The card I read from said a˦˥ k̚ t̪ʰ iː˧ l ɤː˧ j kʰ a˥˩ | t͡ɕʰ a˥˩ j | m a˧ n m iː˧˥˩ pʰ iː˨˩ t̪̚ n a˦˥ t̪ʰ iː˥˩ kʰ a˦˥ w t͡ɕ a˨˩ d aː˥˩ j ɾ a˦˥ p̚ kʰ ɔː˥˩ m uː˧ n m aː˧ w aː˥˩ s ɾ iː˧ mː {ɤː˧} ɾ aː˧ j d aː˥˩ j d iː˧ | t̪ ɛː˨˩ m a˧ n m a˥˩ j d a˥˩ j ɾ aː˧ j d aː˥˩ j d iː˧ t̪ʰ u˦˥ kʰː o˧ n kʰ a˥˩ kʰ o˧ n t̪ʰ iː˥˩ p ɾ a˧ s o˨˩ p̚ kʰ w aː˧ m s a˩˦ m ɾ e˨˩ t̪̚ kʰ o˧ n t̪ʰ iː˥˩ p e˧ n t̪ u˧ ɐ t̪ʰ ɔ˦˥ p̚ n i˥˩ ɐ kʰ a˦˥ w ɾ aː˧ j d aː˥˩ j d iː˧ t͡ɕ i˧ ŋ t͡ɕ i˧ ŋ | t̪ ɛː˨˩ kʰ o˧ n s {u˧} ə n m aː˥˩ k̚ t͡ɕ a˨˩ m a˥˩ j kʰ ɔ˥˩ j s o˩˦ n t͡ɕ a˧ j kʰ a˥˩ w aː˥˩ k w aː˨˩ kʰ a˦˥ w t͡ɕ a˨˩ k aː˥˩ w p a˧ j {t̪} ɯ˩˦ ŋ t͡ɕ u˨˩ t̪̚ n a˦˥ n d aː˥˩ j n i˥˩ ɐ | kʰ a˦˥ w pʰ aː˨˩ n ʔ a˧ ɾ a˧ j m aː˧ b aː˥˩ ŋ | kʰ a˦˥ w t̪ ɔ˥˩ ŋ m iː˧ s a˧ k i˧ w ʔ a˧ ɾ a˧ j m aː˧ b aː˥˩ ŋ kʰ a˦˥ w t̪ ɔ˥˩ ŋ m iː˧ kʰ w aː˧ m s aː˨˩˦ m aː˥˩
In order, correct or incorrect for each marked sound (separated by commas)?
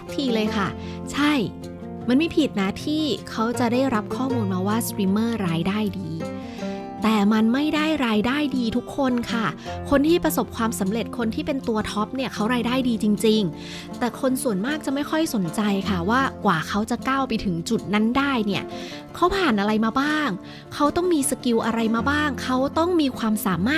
incorrect, incorrect, incorrect